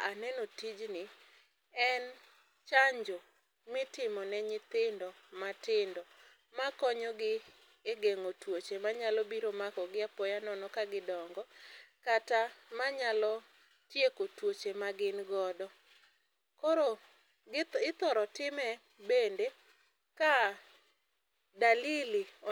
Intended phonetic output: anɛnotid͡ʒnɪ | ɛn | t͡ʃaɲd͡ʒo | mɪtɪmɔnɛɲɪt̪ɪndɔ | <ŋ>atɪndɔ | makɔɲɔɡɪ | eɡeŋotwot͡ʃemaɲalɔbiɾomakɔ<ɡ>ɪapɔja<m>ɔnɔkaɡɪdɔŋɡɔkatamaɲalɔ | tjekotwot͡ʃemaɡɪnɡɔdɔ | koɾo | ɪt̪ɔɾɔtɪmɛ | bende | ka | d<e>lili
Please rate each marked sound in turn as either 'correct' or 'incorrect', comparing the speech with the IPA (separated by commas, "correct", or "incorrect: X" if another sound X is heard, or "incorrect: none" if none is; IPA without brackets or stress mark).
incorrect: m, correct, incorrect: n, incorrect: a